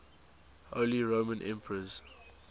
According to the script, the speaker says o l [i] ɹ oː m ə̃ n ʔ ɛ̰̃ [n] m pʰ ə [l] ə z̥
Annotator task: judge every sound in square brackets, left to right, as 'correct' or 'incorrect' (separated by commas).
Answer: correct, incorrect, incorrect